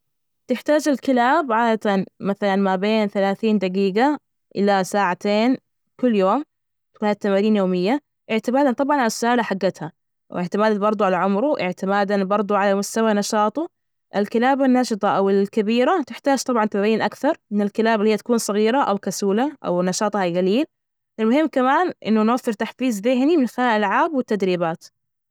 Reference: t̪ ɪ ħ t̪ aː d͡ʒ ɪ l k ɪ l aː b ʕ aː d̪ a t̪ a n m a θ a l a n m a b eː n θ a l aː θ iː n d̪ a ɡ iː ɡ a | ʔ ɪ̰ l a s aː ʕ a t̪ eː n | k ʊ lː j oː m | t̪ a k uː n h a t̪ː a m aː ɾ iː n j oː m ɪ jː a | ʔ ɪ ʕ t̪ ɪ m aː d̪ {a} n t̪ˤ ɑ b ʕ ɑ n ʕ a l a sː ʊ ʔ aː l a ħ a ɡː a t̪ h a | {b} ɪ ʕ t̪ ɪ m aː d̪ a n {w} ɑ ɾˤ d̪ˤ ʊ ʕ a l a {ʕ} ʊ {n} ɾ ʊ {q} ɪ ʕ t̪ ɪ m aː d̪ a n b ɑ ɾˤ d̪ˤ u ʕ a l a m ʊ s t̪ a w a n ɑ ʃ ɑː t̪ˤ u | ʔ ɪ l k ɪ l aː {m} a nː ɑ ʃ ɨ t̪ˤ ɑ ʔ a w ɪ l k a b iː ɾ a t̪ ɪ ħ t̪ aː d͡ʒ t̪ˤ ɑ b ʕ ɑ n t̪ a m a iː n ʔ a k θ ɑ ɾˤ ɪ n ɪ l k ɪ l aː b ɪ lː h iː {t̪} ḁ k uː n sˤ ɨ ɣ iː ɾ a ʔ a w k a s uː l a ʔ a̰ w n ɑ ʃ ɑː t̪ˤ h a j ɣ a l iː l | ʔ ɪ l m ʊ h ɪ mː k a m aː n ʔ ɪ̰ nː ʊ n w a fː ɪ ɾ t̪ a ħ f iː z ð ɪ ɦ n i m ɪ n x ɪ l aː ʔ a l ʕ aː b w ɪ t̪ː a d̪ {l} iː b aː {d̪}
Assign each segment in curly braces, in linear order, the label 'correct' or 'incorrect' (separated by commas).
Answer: correct, incorrect, incorrect, correct, incorrect, incorrect, incorrect, correct, incorrect, incorrect